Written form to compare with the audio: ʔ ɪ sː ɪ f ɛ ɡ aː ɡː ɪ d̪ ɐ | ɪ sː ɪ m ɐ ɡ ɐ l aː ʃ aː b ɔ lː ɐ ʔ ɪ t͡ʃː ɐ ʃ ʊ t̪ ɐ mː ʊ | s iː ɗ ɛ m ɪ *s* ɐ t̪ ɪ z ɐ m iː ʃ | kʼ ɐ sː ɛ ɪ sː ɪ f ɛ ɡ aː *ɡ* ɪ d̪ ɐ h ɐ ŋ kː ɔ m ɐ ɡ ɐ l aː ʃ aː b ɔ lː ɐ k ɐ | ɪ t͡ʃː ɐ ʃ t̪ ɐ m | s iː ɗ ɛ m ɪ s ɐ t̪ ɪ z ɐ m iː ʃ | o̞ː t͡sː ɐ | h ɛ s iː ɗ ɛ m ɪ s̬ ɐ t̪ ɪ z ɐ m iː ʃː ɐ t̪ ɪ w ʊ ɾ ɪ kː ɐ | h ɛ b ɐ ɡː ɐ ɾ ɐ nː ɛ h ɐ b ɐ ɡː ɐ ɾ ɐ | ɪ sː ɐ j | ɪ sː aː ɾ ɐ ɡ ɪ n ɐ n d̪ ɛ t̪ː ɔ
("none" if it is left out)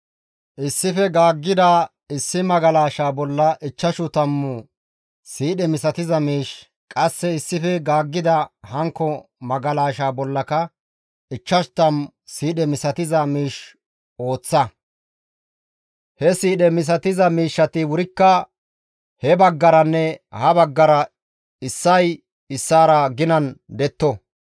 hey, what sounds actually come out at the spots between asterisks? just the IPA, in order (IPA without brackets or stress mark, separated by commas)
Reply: s, ɡː